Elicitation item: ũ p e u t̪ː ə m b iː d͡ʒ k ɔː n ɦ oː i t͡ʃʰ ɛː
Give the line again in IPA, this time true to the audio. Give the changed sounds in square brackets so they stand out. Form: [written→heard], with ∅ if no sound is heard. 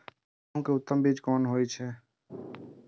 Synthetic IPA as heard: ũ [p→k] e [u→ʊ] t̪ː ə m b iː d͡ʒ k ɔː n ɦ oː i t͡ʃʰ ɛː